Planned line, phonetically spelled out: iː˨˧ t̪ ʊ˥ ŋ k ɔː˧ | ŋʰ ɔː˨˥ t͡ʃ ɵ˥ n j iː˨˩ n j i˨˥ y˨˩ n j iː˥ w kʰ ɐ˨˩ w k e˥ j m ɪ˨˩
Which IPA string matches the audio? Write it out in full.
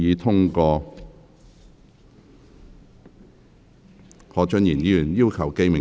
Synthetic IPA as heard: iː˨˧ t̪ʰ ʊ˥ ŋ k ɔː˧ | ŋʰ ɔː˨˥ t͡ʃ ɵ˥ n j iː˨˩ n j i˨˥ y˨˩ n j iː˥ w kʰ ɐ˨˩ w k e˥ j m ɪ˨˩